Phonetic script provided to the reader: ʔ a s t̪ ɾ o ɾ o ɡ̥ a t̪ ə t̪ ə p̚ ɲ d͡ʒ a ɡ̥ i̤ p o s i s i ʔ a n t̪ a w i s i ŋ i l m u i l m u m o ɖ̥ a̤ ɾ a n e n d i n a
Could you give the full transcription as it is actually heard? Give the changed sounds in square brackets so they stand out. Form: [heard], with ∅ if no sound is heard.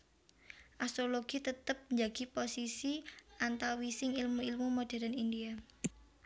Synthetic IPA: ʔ a s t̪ ɾ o [l] o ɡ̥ [i] t̪ ə t̪ ə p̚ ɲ d͡ʒ a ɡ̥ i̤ p o s i s i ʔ a n t̪ a w i s [ɪ] ŋ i l m u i l m u m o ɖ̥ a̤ ɾ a n [i] n d i [∅] a

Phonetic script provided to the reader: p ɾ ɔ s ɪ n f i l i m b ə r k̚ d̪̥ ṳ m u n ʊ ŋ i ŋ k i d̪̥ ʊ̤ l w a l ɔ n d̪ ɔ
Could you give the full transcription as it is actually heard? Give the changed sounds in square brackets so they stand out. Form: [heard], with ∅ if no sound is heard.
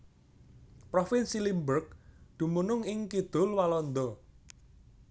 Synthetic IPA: p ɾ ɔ [f] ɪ n [s] i l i m b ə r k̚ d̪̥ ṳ m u n ʊ ŋ [ɪ] ŋ k i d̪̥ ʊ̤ l w a l ɔ n d̪ ɔ

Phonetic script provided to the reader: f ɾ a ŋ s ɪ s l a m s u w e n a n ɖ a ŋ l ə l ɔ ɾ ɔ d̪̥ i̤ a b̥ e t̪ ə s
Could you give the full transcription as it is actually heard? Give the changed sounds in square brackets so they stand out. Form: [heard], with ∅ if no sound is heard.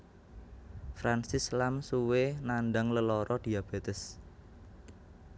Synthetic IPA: f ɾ a [n] s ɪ s l a m s u w e n a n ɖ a ŋ l ə l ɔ ɾ ɔ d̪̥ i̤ a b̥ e t̪ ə s

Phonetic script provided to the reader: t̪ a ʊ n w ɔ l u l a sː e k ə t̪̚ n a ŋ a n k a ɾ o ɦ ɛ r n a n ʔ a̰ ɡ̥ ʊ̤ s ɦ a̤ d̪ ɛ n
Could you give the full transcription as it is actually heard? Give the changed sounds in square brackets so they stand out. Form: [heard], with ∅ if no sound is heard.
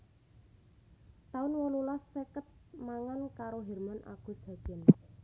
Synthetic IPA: t̪ a ʊ n w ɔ l u l a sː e k ə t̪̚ [m] a ŋ a n k a ɾ o ɦ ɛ r [m] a n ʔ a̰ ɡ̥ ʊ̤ s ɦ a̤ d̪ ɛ n

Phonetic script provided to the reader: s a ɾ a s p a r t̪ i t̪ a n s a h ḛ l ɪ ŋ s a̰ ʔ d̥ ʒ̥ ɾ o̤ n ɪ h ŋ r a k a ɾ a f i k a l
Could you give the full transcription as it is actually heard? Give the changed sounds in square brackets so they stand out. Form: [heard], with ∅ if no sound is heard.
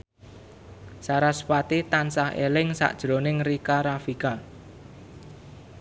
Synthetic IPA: s a ɾ a s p a [∅] t̪ i t̪ a n s a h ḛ l ɪ ŋ s a̰ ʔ d̥ ʒ̥ ɾ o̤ n ɪ [∅] ŋ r [i] k a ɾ a f i k a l

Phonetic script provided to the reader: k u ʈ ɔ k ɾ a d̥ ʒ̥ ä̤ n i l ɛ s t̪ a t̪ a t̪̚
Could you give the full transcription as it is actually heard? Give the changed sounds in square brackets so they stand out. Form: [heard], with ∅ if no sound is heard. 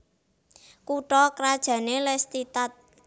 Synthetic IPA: k u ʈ ɔ k ɾ a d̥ ʒ̥ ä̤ n [e] l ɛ s t̪ [i] t̪ a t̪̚

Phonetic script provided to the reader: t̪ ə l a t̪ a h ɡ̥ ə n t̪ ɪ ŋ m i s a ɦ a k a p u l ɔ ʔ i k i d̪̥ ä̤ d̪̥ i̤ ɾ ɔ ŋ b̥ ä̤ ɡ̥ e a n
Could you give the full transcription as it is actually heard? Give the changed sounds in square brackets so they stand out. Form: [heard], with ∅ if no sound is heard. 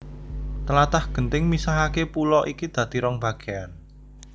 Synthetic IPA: t̪ ə l a t̪ a h ɡ̥ ə n t̪ ɪ ŋ m i s a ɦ a k [e] p u l ɔ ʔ i k i d̪̥ ä̤ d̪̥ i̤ ɾ ɔ ŋ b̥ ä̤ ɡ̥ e a n

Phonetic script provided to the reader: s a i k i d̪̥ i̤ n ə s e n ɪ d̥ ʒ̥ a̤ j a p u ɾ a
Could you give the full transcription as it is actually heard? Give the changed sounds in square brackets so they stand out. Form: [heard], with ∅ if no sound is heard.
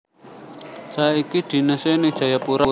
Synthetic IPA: s a i k i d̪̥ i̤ n ə s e n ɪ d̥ ʒ̥ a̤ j a p u ɾ a

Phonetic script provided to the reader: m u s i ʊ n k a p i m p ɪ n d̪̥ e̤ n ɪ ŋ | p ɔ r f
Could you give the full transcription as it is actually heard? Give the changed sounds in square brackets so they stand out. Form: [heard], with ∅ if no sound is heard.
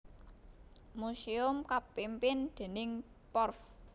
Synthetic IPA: m u s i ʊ [m] k a p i m p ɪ n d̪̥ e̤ n ɪ ŋ | p ɔ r f

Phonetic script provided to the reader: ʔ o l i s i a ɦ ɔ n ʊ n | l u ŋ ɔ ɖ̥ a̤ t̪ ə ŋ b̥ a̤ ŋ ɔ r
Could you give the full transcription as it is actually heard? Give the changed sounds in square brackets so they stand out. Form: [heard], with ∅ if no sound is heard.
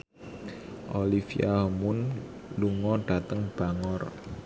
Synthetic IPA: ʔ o l i [f] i a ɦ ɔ [m] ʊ n | l u ŋ ɔ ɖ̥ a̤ t̪ ə ŋ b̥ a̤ ŋ ɔ r

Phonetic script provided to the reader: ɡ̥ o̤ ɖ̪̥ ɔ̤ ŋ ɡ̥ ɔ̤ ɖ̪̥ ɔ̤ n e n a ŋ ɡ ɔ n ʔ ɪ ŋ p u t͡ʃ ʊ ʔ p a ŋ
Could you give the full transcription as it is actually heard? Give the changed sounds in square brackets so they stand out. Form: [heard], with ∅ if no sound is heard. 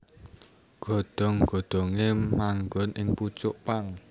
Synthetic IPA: ɡ̥ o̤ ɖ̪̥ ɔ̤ ŋ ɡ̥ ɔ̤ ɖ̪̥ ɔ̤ [ŋ] e [m] a ŋ ɡ ɔ n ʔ ɪ ŋ p u t͡ʃ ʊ ʔ p a ŋ

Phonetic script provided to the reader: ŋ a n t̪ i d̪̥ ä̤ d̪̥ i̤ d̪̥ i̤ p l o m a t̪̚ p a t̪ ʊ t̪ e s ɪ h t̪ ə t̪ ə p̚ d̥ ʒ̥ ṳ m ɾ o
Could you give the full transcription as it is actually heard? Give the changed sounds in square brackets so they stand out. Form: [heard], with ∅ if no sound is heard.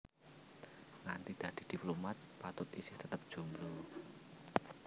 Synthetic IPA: ŋ a n t̪ i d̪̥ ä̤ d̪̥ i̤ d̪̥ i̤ p l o m a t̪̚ p a t̪ ʊ t̪ [i] s ɪ h t̪ ə t̪ ə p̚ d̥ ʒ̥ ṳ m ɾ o

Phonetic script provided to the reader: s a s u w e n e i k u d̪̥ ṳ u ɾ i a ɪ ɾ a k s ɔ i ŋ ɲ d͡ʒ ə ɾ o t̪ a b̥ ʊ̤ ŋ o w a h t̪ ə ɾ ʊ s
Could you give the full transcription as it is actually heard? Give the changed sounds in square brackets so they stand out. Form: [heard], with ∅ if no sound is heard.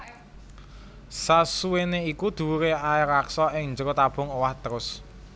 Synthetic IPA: s a s u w e n e i k u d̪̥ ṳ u ɾ [e] a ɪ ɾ a k s ɔ [ɪ] ŋ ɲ d͡ʒ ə ɾ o t̪ a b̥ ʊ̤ ŋ o w a h t̪ ə ɾ ʊ s

